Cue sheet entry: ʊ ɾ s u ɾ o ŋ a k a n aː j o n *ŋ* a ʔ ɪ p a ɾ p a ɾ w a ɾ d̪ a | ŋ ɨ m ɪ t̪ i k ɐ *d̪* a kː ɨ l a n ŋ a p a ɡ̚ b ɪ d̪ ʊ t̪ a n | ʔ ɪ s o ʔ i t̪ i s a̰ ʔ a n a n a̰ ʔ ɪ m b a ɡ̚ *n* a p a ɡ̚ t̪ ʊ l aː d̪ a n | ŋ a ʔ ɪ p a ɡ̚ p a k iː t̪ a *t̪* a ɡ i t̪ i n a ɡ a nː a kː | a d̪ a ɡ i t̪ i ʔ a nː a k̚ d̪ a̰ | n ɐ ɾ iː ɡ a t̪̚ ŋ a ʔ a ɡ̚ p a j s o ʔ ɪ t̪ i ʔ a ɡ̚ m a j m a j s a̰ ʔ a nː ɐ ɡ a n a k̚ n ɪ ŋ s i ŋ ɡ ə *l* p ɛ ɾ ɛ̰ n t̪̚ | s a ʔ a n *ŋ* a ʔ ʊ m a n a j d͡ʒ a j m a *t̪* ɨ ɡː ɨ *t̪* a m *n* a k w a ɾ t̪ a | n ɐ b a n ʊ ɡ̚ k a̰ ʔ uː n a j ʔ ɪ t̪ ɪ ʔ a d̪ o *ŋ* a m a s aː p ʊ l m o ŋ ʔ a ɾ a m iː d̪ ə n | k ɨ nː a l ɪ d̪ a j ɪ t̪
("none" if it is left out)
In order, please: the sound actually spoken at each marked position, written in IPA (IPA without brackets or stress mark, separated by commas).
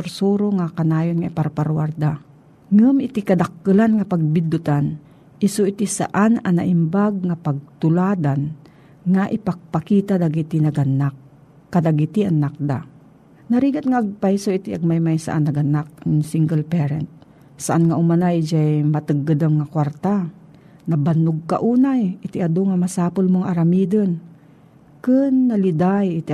ŋ, d̪, ŋ, d̪, l, ŋ, t̪, d̪, ŋ, ŋ